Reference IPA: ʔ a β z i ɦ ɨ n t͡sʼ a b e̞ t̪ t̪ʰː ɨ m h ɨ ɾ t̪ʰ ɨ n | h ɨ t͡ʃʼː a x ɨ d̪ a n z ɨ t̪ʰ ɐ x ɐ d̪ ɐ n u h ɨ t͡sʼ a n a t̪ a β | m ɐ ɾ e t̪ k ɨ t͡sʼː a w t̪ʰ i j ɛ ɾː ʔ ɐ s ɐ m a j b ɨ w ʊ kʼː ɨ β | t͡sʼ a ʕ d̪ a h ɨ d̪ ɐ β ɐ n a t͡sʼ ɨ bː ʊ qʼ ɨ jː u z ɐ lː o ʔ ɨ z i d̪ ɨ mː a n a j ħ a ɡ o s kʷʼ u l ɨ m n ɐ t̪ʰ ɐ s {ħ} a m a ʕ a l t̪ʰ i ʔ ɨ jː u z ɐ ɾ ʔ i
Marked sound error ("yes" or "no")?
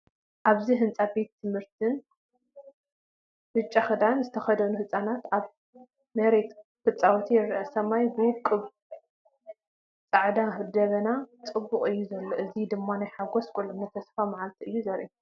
yes